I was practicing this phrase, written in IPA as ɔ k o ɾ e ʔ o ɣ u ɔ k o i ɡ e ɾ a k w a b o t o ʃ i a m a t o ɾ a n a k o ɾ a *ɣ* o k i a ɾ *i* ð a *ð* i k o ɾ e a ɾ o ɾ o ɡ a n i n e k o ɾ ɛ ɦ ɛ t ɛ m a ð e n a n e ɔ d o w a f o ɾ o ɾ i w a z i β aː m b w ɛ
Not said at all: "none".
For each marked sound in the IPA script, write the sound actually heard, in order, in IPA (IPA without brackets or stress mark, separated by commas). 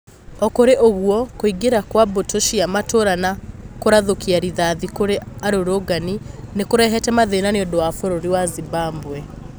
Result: ð, i, ð